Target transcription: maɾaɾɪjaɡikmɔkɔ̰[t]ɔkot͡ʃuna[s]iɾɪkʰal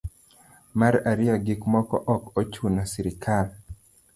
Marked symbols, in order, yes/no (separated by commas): no, yes